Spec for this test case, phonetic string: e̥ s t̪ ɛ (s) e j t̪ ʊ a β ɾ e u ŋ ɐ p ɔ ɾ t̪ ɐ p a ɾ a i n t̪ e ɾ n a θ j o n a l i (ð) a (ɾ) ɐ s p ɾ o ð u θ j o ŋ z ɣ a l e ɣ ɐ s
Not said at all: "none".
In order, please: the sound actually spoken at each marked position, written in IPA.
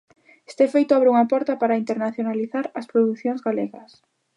f, θ, ɾ

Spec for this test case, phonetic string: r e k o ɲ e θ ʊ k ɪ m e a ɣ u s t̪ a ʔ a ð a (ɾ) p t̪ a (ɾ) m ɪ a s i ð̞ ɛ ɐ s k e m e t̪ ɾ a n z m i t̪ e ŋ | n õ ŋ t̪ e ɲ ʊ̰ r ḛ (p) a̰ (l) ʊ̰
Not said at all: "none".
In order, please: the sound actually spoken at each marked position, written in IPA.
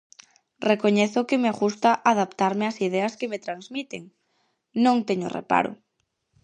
none, ɾ, p, ɾ

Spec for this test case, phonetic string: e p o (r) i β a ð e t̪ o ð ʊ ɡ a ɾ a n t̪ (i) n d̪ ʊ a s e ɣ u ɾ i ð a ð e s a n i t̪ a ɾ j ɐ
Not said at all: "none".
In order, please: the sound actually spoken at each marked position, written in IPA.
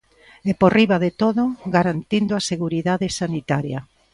r, i

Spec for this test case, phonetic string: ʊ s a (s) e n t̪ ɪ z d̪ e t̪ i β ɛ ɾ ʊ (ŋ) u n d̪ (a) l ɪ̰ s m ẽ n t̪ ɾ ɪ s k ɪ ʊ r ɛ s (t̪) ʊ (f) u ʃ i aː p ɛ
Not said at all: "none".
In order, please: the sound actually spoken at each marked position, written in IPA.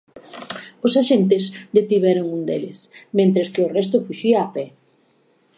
ʃ, ŋ, e, t̪, f

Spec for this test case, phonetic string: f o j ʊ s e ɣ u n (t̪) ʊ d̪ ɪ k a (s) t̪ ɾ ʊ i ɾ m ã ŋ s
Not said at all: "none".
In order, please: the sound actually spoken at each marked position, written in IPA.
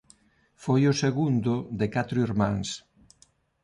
d̪, none

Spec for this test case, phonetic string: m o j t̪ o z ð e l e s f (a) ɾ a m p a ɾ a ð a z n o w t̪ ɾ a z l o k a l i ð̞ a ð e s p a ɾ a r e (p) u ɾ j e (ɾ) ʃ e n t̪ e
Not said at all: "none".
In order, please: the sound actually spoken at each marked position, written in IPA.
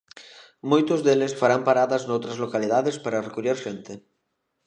a, k, ɾ

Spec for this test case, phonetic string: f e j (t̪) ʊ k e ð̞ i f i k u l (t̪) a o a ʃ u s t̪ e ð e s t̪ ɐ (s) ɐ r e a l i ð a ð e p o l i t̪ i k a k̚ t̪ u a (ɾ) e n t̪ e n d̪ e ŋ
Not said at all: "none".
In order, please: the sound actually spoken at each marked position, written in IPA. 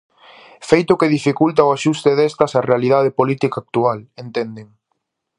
t̪, t̪, s, l

